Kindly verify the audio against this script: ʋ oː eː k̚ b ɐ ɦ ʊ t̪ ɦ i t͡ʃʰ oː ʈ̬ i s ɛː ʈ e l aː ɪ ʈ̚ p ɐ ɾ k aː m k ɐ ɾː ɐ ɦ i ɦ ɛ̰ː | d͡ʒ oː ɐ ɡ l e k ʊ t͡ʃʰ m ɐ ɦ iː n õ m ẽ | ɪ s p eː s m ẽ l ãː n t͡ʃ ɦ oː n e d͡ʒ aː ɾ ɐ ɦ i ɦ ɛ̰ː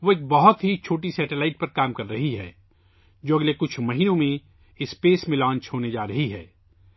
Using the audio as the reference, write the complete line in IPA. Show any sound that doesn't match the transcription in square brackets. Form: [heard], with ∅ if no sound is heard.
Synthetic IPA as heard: ʋ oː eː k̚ b ɐ ɦ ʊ t̪ ɦ i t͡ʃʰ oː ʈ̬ i s ɛː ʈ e l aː ɪ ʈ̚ p ɐ ɾ k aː m k ɐ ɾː ɐ ɦ i ɦ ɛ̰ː | d͡ʒ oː ɐ ɡ l e k ʊ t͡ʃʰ m ɐ ɦ iː n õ m ẽ | ɪ s p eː s m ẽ l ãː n t͡ʃ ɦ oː n e d͡ʒ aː ɾ ɐ ɦ i ɦ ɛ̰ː

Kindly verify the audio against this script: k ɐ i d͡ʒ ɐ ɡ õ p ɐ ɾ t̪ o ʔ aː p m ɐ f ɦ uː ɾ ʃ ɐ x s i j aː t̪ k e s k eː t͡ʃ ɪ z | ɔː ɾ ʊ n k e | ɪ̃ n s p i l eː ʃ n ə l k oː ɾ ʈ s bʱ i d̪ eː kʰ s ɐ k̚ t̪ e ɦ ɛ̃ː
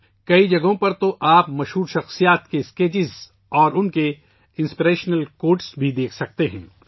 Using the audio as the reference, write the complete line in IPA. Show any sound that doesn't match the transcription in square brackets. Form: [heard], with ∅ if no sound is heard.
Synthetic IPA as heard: k ɐ i d͡ʒ ɐ ɡ õ p ɐ ɾ t̪ o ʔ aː p m ɐ [ʃ] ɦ uː ɾ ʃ ɐ x s i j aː t̪ k e s k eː t͡ʃ ɪ z | ɔː ɾ ʊ n k e | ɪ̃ n s p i [ɾ] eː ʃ n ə l k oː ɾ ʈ s bʱ i d̪ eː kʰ s ɐ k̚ t̪ e ɦ ɛ̃ː

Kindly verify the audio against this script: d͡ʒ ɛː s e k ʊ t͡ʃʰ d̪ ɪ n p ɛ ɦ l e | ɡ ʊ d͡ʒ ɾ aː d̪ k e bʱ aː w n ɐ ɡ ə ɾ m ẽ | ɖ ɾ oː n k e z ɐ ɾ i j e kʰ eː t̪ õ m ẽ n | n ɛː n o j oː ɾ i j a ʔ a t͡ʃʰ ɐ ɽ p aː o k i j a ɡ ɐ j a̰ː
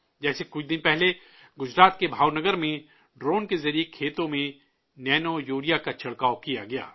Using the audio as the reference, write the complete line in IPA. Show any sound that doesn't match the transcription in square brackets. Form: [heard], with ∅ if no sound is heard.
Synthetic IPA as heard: d͡ʒ ɛː s e k ʊ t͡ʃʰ d̪ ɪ n p ɛ ɦ l e | ɡ ʊ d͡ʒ ɾ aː [t̪] k e bʱ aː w n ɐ ɡ ə ɾ m ẽ | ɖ ɾ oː n k e z ɐ ɾ i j e kʰ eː t̪ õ m ẽ [∅] | n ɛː n o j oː ɾ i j a [k] a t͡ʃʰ ɐ ɽ [k] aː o k i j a ɡ ɐ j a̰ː

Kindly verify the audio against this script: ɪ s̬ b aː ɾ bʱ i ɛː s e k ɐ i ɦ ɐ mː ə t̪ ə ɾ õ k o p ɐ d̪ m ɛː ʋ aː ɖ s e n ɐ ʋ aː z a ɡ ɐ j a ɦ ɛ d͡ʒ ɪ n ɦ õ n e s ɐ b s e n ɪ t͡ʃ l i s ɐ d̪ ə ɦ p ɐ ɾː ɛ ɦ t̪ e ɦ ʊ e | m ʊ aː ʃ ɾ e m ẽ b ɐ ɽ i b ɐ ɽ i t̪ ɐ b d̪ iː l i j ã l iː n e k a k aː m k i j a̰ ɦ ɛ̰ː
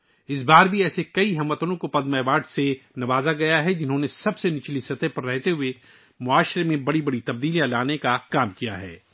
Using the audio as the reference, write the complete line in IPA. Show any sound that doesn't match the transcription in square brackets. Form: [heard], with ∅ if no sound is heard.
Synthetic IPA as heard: ɪ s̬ b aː ɾ bʱ i ɛː s e k ɐ i ɦ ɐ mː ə t̪ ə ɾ õ k o p ɐ d̪ m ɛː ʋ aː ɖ s e n ɐ ʋ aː z a ɡ ɐ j a ɦ ɛ d͡ʒ ɪ n ɦ õ n e s ɐ b s e n ɪ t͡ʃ l i s ɐ [t̪] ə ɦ p ɐ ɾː ɛ ɦ t̪ e ɦ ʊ e | m ʊ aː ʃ ɾ e m ẽ b ɐ ɽ i b ɐ ɽ i t̪ ɐ b d̪ iː l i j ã l [aː] n e k a k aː m k i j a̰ ɦ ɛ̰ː

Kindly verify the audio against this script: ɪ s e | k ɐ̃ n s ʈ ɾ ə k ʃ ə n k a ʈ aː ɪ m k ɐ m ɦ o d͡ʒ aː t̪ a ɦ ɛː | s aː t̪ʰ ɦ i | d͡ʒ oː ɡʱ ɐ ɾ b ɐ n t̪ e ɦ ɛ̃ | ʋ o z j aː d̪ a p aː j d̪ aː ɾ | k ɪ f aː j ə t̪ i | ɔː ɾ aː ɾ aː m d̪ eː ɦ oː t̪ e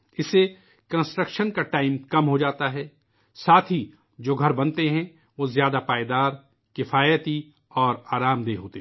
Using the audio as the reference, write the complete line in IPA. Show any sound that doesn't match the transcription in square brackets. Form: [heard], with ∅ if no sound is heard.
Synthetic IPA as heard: ɪ s e | k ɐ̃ n s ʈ ɾ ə k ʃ ə n k a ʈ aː ɪ m k ɐ m ɦ o d͡ʒ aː t̪ a ɦ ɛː | s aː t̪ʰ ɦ i | d͡ʒ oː ɡʱ ɐ ɾ b ɐ n t̪ e ɦ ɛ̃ | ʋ o z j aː d̪ a p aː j d̪ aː ɾ | k ɪ f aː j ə t̪ i | ɔː ɾ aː ɾ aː m d̪ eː ɦ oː t̪ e

